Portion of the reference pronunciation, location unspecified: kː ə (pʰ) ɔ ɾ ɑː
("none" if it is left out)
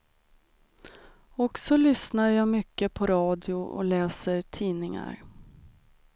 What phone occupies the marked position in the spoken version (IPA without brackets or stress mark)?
pʰ